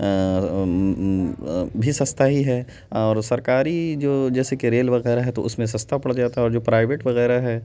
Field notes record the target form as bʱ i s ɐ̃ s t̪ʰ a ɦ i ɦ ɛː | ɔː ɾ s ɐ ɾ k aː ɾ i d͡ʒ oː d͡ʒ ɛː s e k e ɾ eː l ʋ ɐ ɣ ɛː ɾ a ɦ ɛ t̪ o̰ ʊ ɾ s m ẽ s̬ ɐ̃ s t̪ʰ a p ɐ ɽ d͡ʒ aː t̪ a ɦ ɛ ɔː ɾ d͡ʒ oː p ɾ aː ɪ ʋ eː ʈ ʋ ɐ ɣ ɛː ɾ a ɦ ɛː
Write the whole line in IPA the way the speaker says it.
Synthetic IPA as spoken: bʱ i s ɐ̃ s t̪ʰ a ɦ i ɦ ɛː | ɔː ɾ s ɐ ɾ k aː ɾ i d͡ʒ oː d͡ʒ ɛː s e k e ɾ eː l ʋ ɐ ɣ ɛː ɾ a ɦ ɛ t̪ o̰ ʊ s m ẽ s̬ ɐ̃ s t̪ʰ a p ɐ ɽ d͡ʒ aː t̪ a ɦ ɛ ɔː ɾ d͡ʒ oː p ɾ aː ɪ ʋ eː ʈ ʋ ɐ ɣ ɛː ɾ a ɦ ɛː